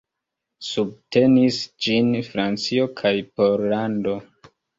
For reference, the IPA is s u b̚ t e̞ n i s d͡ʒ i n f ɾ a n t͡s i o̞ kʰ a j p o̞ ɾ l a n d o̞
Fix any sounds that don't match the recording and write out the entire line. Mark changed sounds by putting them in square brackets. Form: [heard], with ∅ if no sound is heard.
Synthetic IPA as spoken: s u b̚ t e̞ n i s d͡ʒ i n f ɾ a n t͡s i o̞ kʰ a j p o̞ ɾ l a n d o̞